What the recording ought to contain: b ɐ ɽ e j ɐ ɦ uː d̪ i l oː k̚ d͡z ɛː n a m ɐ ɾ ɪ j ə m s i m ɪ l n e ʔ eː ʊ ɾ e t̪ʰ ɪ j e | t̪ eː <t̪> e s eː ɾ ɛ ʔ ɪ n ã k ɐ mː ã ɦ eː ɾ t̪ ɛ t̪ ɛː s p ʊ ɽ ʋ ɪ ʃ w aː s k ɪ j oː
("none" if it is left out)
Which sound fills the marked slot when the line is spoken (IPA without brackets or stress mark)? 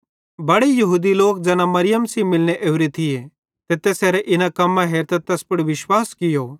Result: t̪